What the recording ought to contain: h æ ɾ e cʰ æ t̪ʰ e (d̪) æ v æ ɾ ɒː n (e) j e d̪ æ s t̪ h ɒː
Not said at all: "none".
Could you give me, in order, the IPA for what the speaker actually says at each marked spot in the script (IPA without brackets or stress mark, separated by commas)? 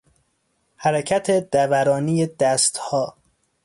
d̪, i